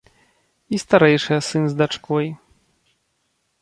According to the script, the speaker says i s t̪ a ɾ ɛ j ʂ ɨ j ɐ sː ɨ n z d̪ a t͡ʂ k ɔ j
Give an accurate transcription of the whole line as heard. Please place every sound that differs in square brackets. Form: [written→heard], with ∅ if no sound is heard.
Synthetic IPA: i s t̪ a ɾ ɛ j ʂ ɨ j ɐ [sː→s] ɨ n z d̪ a t͡ʂ k ɔ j